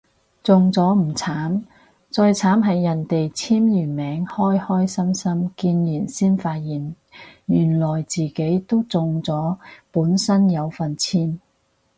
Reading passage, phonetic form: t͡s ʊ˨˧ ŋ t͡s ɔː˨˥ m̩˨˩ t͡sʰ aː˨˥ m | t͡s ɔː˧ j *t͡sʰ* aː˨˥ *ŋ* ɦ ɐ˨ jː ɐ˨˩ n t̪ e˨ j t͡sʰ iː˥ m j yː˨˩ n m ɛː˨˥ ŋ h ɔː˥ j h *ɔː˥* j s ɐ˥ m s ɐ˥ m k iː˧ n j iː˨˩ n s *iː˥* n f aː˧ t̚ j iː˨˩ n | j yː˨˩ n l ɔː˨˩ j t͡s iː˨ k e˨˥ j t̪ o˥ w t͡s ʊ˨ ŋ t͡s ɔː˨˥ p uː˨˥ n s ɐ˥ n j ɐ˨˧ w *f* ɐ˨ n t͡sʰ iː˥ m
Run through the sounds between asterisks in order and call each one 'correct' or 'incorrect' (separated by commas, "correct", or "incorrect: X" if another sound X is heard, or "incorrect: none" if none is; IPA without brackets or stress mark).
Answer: correct, incorrect: m, correct, correct, correct